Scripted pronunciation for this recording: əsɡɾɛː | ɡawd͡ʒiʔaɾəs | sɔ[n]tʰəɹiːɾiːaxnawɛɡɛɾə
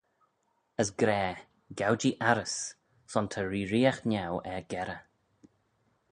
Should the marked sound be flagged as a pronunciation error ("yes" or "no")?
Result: no